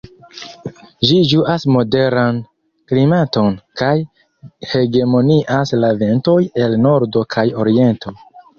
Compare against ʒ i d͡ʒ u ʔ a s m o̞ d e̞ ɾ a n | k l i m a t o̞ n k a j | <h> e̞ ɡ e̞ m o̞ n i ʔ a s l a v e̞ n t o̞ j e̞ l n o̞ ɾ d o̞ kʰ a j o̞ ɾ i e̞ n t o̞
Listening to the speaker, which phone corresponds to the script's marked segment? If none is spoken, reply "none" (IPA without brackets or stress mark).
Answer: h